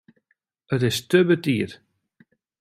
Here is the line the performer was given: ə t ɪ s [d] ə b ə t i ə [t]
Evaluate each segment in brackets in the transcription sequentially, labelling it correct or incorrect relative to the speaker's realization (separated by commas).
incorrect, correct